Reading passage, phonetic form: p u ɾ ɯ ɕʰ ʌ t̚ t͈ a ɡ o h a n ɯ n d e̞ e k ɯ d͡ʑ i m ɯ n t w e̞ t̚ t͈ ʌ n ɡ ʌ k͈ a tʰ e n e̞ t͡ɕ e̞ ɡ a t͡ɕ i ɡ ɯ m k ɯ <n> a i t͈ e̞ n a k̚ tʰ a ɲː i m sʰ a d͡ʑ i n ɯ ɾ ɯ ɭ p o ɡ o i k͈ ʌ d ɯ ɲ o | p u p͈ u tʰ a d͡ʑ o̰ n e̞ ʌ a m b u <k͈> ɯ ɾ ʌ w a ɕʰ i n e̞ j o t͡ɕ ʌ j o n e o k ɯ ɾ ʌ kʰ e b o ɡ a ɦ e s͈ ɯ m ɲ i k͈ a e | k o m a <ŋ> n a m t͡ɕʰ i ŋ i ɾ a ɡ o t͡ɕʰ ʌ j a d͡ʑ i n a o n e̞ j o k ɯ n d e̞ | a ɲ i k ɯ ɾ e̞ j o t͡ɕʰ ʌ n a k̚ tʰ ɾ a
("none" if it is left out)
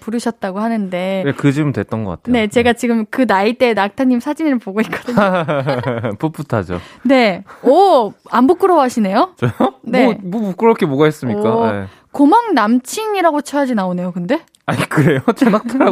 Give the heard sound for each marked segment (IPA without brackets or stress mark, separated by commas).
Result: n, k͈, ŋ